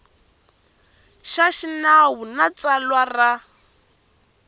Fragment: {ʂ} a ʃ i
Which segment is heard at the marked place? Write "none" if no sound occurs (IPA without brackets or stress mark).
ʃ